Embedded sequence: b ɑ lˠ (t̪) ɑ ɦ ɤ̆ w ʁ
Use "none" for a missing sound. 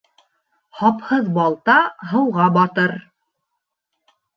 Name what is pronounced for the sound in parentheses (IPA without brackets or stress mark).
t̪